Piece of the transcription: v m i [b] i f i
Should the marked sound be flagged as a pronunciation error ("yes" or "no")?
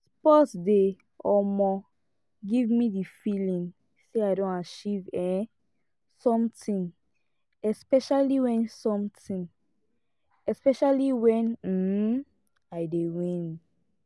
yes